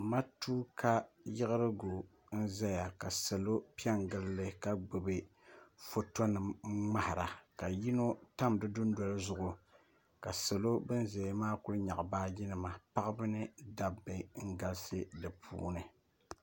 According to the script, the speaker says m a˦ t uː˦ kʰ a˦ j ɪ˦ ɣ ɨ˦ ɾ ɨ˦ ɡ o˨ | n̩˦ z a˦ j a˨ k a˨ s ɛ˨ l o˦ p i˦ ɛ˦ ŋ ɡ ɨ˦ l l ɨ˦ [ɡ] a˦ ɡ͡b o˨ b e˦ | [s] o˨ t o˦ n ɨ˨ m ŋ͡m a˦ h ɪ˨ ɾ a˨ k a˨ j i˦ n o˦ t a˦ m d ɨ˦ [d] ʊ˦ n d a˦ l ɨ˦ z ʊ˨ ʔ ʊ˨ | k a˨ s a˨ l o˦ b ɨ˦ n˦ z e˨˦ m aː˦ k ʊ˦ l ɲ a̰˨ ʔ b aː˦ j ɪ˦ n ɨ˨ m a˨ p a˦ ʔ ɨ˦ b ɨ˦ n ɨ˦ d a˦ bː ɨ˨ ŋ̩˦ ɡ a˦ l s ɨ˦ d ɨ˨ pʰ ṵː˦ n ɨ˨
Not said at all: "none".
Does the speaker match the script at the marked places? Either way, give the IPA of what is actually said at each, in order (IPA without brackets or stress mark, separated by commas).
k, f, d